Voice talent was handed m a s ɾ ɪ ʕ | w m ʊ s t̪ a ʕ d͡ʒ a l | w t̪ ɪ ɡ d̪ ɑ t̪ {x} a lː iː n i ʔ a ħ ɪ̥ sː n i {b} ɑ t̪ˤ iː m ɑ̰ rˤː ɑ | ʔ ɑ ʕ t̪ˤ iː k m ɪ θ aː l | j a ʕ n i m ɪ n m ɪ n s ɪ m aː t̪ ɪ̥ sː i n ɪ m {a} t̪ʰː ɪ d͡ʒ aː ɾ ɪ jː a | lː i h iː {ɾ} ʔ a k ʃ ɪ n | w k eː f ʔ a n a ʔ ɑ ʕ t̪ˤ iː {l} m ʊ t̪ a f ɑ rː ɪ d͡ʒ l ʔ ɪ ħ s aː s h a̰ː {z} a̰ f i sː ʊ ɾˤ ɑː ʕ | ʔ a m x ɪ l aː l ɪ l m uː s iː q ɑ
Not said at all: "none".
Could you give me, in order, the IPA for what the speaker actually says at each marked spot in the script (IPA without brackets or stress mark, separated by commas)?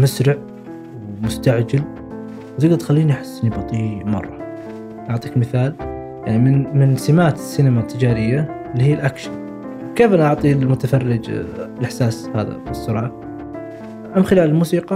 x, b, a, l, l, ð